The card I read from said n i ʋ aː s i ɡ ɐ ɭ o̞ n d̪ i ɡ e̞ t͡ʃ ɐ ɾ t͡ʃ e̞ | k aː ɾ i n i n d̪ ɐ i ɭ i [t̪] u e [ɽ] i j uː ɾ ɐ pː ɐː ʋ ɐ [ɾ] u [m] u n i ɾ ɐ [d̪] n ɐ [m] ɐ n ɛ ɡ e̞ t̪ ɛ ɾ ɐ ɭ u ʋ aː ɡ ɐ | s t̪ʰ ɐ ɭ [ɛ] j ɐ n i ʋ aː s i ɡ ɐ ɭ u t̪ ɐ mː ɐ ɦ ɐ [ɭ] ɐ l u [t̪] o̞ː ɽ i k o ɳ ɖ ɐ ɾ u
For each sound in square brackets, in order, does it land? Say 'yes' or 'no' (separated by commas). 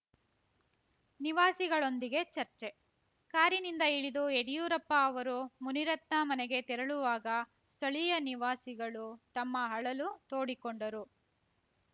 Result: no, yes, yes, yes, no, yes, no, yes, yes